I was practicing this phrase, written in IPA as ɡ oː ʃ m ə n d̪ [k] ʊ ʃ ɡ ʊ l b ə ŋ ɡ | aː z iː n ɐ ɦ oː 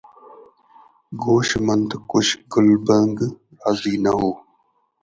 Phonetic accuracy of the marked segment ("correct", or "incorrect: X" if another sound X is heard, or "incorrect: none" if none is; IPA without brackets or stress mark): correct